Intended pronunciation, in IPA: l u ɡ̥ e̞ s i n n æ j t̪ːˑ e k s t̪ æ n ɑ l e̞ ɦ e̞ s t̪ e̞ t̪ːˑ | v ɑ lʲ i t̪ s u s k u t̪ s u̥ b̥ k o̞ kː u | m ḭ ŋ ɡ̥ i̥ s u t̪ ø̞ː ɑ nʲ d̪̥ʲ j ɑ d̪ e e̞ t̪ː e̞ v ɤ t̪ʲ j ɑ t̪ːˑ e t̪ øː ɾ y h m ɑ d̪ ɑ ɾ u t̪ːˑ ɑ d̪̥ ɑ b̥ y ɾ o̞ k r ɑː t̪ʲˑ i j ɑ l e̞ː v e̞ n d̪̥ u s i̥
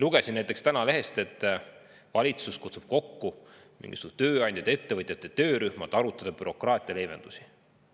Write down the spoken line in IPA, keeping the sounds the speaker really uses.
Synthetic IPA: l u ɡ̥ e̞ s i n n æ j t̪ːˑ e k s t̪ æ n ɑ l e̞ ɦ e̞ s t̪ e̞ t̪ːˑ | v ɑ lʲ i t̪ s u s k u t̪ s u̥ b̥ k o̞ kː u | m ḭ ŋ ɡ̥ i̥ s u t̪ ø̞ː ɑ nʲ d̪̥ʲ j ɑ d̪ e e̞ t̪ː e̞ v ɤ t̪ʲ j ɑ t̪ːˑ e t̪ øː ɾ y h m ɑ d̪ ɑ ɾ u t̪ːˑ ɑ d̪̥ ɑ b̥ y ɾ o̞ k r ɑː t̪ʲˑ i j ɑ l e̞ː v e̞ n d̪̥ u s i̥

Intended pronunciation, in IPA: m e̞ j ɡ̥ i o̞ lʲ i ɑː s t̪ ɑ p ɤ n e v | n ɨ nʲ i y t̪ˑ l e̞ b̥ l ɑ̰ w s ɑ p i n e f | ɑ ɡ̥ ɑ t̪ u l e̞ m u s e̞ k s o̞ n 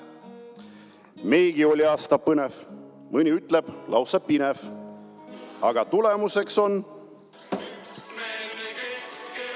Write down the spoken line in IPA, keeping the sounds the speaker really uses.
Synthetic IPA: m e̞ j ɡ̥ i o̞ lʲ i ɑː s t̪ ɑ p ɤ n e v | m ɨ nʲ i y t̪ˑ l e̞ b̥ l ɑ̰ w s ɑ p i n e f | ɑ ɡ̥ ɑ t̪ u l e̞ m u s e̞ k s o̞ n

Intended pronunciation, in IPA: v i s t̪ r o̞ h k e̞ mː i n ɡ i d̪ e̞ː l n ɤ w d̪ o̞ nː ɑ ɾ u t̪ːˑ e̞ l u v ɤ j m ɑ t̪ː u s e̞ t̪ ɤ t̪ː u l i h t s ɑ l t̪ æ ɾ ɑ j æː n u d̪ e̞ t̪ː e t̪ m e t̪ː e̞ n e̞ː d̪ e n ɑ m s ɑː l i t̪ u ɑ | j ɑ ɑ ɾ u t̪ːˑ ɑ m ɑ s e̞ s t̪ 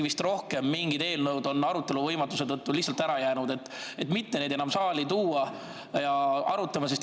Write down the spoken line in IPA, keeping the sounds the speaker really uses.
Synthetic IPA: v i s t̪ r o̞ h k e̞ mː i ŋ ɡ i d̪ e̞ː l n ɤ w d̪ o̞ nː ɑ ɾ u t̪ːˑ e̞ l u v ɤ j m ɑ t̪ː u s e̞ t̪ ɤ t̪ː u l i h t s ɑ l t̪ æ ɾ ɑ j æː n u d̪ e̞ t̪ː e t̪ m i t̪ː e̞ n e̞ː d̪ e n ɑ m s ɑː l i t̪ uː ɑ | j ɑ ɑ ɾ u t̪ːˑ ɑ m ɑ s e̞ s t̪

